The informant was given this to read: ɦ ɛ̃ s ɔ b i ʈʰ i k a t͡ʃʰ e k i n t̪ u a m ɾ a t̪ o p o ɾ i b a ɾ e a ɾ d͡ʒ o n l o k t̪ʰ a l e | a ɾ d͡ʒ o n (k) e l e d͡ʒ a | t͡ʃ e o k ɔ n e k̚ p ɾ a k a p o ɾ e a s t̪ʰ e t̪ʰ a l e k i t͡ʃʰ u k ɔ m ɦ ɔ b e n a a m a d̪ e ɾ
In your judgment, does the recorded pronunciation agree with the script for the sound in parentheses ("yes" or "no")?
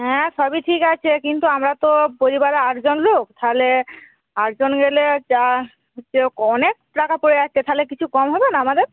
no